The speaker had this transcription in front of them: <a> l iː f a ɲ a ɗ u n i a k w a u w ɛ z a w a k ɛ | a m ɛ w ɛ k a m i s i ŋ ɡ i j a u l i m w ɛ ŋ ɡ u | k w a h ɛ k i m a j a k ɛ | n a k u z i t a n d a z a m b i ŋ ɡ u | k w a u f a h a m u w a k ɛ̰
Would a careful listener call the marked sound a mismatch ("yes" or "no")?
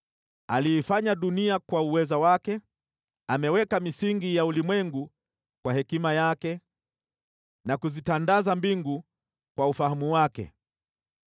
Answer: no